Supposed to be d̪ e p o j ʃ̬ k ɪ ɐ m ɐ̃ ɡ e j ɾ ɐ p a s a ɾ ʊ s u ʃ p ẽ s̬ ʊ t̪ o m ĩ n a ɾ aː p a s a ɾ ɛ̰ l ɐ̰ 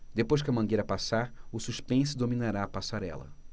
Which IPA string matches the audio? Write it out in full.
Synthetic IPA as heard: d̪ e p o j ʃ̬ k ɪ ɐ m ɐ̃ ɡ e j ɾ ɐ p a s a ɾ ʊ s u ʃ p ẽ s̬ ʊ d̪ o m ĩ n a ɾ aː p a s a ɾ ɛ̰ l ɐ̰

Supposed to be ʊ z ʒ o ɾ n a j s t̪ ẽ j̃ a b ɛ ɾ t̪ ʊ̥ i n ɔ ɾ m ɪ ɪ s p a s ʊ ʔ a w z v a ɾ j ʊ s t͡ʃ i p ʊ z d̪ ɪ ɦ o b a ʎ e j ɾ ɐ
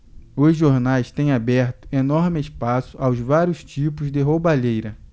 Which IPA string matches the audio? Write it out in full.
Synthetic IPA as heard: ʊ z ʒ o ɾ n a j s t̪ ẽ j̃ a b ɛ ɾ t̪ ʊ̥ e n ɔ ɾ m ɪ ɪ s p a s ʊ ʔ a w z v a ɾ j ʊ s t͡ʃ i p ʊ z d̪ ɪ ɦ o b a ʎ e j ɾ ɐ

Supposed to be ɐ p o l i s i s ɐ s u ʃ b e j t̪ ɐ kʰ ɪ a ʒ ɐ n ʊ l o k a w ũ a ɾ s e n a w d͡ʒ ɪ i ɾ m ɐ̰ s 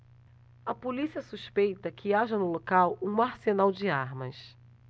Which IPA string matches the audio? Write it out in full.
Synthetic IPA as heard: ɐ p o l i s i ɐ s u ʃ p e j t̪ ɐ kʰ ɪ a ʒ ɐ n ʊ l o k a w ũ a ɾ s e n a w d͡ʒ ɪ a ɾ m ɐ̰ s

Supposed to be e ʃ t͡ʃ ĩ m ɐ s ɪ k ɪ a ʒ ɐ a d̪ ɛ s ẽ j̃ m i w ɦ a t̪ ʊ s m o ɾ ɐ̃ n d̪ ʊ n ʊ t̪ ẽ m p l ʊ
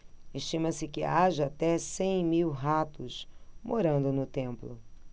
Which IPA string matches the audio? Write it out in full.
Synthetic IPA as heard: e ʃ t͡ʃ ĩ m ɐ s ɪ k ɪ a ʒ ɐ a t̪ ɛ s ẽ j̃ m i w ɦ a t̪ ʊ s m o ɾ ɐ̃ n d̪ ʊ n ʊ t̪ ẽ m p l ʊ

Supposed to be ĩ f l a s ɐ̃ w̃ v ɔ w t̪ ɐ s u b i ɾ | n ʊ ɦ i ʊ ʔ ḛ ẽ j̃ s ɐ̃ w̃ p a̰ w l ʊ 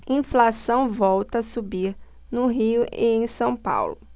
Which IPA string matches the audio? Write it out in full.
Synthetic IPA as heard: ĩ f l a s ɐ̃ w̃ v ɔ w t̪ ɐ s u b i ɾ | n ʊ ɦ i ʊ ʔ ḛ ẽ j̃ s ɐ̃ w̃ p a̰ w l ʊ

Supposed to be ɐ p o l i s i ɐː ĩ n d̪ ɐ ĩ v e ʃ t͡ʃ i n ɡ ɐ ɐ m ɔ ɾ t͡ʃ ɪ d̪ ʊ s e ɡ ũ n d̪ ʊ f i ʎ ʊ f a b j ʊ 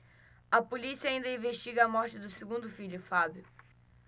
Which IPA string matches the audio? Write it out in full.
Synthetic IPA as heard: ɐ p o l i s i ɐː ĩ n d̪ ɐ ĩ v e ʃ t͡ʃ i ɡ ɐ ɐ m ɔ ɾ t͡ʃ ɪ d̪ ʊ s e ɡ ũ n d̪ ʊ f i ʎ ʊ f a b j ʊ

